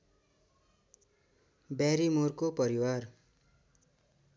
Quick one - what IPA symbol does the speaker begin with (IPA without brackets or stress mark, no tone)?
b